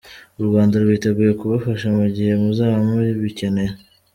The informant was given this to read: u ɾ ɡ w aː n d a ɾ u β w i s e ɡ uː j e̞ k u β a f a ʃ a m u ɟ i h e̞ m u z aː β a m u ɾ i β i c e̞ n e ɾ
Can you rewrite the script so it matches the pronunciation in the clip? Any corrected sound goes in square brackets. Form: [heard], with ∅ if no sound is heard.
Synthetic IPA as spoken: u ɾ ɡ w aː n d a ɾ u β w i [t] e ɡ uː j e̞ k u β a f a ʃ a m u ɟ i h e̞ m u z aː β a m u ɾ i β i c e̞ n e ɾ